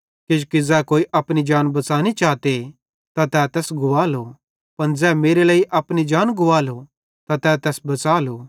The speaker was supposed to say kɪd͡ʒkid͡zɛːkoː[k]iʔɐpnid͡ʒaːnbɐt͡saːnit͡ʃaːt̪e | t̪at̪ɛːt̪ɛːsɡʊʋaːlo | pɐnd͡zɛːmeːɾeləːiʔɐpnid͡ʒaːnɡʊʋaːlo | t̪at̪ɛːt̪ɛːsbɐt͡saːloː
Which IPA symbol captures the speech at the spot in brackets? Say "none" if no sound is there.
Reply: none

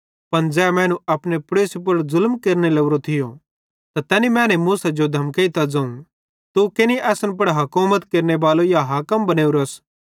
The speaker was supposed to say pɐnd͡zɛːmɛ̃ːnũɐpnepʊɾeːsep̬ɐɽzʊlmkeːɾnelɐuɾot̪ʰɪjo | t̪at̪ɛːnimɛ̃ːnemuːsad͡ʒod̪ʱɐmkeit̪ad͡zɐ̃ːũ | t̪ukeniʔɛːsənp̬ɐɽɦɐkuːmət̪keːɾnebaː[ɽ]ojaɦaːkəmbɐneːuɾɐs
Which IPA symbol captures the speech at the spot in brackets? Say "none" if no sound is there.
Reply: l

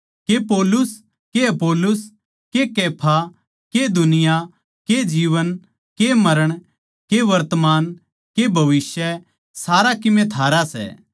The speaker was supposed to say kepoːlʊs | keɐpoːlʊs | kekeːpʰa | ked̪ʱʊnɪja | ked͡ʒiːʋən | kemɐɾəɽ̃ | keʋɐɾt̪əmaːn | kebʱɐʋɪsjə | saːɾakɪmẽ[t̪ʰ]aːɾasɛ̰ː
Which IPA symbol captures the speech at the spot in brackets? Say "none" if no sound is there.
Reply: t̪ʰ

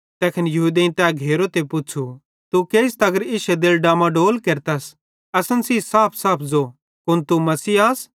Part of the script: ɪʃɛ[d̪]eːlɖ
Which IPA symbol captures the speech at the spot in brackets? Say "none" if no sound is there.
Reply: d̪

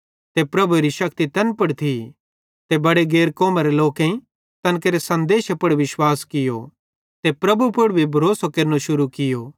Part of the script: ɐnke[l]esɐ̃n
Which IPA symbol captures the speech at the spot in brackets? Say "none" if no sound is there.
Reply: ɾ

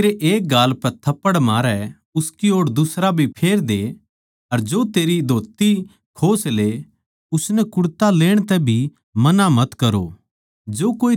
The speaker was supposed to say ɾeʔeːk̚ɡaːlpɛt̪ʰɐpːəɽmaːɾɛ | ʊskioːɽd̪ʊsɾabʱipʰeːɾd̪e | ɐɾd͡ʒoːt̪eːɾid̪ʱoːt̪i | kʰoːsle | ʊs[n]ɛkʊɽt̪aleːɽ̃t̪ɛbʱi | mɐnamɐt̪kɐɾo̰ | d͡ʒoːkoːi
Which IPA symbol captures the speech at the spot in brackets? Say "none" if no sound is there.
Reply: n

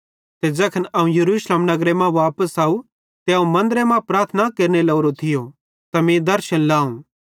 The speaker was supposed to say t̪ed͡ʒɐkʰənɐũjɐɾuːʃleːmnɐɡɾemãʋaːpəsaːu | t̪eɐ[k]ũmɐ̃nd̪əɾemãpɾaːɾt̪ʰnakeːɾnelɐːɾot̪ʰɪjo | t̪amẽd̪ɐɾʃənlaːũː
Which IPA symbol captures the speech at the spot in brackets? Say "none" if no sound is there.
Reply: none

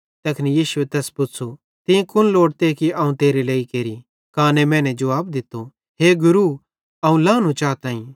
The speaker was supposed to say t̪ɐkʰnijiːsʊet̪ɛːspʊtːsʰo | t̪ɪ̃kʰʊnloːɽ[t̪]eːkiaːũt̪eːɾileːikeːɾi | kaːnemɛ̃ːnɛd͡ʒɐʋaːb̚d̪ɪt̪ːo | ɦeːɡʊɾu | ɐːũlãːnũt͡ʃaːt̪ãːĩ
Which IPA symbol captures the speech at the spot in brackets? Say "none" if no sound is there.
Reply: t̪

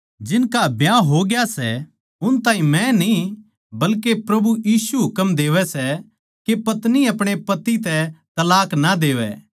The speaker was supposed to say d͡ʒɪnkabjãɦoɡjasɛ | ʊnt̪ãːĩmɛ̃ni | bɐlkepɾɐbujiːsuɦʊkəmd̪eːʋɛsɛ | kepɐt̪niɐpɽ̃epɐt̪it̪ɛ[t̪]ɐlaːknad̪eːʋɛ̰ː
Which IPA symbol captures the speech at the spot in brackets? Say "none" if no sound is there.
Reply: t̪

